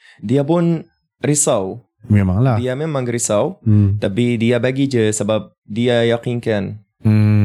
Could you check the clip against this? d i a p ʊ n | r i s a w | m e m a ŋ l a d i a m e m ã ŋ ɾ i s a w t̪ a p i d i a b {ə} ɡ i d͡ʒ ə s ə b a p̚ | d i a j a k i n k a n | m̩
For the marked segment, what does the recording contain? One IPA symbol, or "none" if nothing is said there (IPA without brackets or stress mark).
a